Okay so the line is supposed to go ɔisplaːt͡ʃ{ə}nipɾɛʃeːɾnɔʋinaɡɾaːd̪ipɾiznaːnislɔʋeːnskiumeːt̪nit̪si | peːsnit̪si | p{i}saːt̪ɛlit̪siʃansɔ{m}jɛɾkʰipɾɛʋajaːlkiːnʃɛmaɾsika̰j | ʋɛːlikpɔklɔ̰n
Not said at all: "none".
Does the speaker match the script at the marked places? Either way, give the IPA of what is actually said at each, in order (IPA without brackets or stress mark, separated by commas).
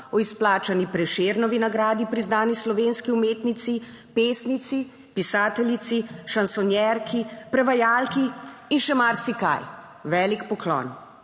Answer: a, i, n